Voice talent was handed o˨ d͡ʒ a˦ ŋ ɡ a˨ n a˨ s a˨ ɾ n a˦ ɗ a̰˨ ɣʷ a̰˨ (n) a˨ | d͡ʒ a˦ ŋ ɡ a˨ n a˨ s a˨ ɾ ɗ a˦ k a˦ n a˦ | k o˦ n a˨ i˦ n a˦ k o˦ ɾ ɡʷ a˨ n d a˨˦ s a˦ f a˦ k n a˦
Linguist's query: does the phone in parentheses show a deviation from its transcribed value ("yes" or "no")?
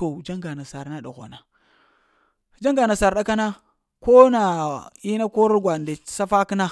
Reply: no